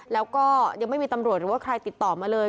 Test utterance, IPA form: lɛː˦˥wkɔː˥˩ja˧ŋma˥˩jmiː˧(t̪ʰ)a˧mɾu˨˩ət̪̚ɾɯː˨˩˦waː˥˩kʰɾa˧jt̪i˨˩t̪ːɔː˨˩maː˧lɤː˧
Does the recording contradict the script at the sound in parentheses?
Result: yes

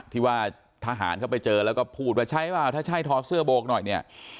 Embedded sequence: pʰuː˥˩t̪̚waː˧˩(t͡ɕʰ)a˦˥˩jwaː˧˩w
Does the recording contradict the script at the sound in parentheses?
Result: no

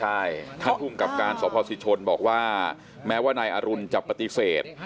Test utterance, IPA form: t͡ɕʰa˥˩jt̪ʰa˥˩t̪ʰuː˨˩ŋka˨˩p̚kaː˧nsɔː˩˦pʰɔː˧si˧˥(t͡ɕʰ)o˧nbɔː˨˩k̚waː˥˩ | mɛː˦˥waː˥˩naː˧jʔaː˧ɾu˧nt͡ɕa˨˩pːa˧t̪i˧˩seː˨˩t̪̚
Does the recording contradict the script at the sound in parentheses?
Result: no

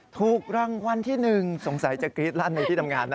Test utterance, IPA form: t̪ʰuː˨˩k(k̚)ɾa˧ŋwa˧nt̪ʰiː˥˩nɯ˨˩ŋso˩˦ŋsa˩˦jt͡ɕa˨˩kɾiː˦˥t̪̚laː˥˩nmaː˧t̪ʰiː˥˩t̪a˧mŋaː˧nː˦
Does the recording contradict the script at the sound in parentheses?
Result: no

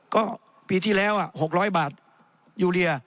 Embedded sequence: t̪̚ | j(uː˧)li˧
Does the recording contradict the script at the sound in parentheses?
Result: no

